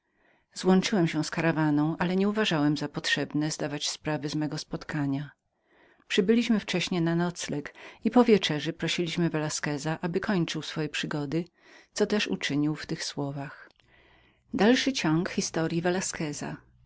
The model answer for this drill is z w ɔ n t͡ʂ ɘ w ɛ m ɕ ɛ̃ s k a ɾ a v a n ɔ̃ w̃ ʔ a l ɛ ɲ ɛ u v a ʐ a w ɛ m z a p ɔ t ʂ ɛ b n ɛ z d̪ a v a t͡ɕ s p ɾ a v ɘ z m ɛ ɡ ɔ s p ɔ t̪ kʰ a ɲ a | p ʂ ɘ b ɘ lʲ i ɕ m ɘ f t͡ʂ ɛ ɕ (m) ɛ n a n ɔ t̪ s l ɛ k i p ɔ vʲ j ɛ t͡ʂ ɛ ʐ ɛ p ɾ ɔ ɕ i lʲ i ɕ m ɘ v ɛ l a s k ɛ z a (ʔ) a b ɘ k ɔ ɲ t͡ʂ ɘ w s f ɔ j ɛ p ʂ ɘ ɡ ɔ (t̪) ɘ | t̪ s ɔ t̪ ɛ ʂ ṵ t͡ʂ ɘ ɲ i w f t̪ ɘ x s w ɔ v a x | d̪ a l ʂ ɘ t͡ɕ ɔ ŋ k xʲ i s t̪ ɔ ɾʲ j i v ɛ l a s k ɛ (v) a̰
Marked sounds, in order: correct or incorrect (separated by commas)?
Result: incorrect, correct, incorrect, incorrect